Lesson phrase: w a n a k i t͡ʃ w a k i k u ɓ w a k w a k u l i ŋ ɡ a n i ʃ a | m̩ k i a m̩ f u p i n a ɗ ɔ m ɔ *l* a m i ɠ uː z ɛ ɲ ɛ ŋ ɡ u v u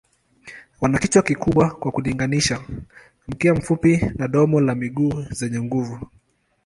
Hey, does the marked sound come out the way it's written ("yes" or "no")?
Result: yes